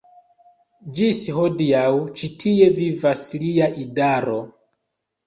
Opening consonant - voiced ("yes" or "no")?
yes